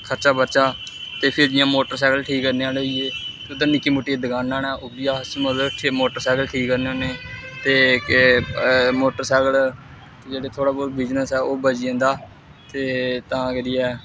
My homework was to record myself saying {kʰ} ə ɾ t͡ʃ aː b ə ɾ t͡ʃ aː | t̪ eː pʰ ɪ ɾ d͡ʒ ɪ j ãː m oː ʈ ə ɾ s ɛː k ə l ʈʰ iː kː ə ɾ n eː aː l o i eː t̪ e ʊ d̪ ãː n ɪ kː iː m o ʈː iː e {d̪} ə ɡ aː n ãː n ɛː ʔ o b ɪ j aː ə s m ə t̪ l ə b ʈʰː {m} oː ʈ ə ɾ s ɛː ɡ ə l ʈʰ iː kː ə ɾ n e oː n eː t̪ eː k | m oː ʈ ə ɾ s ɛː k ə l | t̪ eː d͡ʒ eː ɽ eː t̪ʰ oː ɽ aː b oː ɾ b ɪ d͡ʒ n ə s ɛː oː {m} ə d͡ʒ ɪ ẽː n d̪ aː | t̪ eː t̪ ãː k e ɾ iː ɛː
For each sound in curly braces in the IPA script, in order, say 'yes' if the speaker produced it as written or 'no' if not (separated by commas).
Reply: yes, yes, yes, no